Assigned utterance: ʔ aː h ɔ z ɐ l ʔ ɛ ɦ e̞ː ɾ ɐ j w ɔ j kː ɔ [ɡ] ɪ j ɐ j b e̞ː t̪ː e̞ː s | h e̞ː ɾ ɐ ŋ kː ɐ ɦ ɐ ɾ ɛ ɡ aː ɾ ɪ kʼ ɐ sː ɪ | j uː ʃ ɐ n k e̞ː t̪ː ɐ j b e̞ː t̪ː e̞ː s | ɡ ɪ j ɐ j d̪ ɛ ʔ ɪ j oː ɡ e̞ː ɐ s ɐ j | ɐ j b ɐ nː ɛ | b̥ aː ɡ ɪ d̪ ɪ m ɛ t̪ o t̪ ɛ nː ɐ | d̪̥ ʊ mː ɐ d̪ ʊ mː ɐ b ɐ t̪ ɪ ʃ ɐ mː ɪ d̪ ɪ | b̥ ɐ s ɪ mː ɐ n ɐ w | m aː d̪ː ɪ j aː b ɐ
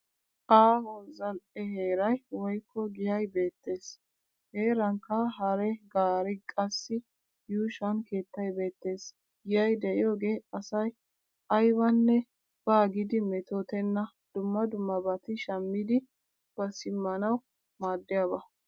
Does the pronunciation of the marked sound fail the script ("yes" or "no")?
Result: no